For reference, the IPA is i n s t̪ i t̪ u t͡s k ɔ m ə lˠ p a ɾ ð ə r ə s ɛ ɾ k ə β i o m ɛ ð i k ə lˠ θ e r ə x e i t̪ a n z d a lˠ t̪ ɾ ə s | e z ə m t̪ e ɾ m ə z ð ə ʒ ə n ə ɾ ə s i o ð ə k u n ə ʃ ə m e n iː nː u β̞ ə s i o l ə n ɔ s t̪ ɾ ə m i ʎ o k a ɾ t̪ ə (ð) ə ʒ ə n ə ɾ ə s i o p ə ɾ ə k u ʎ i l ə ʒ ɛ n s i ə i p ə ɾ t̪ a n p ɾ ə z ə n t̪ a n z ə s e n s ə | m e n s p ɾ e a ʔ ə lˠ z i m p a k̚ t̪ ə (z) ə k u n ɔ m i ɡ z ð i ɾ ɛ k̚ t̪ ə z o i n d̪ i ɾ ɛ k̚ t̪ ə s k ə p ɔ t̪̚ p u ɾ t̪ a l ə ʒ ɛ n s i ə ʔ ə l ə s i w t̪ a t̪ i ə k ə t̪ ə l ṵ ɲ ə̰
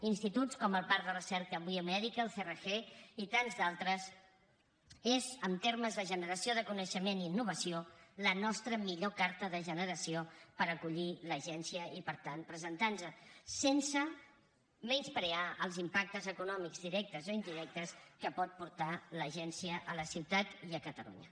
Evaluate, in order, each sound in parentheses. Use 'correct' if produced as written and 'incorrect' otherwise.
correct, correct

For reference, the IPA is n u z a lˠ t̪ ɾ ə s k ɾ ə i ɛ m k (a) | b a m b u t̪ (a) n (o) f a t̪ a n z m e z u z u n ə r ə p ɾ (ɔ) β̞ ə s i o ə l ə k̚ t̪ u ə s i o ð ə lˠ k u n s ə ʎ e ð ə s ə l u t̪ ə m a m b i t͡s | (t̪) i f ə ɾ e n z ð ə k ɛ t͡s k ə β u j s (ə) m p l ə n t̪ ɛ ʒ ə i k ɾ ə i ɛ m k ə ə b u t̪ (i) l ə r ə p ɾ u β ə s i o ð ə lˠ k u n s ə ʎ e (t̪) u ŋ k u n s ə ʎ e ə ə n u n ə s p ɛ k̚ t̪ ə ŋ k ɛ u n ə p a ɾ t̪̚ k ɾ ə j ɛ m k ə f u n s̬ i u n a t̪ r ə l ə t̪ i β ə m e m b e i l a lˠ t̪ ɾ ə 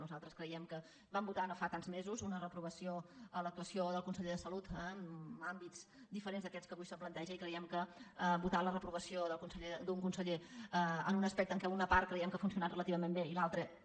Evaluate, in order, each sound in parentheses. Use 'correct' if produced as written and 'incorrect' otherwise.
incorrect, correct, correct, incorrect, incorrect, correct, incorrect, incorrect

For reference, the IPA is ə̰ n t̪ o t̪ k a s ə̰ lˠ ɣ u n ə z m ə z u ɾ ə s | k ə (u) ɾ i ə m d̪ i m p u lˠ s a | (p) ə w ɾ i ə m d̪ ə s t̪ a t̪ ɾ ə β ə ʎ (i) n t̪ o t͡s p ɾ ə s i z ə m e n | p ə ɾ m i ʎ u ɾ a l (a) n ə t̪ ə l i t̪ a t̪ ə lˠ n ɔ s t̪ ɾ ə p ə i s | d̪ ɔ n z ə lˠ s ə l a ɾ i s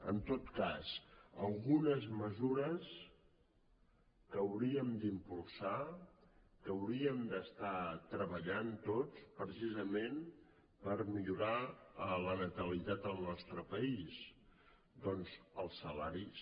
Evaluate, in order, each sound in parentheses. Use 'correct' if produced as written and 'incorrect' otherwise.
incorrect, incorrect, incorrect, incorrect

